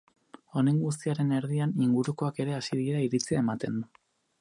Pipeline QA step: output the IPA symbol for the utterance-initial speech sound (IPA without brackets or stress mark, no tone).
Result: o̞